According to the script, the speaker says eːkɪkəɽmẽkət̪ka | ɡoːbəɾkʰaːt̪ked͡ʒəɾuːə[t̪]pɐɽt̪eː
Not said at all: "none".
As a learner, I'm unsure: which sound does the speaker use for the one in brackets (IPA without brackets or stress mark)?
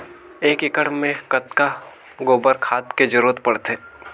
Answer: t̪